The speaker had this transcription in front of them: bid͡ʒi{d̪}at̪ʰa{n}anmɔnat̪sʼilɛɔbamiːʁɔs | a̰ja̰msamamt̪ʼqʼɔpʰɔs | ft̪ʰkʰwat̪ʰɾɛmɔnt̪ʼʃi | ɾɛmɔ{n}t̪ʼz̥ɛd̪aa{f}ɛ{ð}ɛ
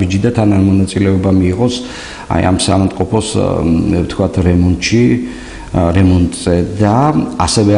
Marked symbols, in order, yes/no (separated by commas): yes, yes, yes, no, no